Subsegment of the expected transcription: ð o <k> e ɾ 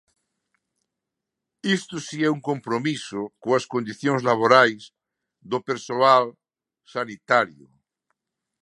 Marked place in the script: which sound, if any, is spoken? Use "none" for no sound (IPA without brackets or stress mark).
p